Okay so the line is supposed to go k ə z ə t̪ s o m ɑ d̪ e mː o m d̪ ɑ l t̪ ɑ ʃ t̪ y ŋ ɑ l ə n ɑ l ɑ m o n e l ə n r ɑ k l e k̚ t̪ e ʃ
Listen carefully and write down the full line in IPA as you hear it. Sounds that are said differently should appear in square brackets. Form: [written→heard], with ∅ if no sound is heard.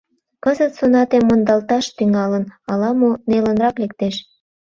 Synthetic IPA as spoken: k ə z ə t̪ s o [m→n] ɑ [d̪→t̪] e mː o [m→n] d̪ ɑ l t̪ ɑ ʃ t̪ y ŋ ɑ l ə n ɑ l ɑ m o n e l ə n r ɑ k l e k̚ t̪ e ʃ